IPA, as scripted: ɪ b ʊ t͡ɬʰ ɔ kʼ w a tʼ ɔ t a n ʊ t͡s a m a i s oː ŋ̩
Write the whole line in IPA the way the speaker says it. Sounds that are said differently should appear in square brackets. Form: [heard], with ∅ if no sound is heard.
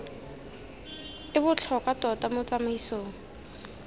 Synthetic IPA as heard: ɪ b ʊ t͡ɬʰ ɔ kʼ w a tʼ ɔ t a [m] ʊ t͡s a m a i s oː ŋ̩